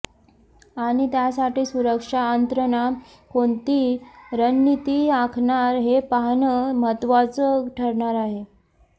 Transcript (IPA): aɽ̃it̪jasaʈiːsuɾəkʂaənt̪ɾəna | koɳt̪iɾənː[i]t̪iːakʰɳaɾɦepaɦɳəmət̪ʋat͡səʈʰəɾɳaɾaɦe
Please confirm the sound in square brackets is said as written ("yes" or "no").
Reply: yes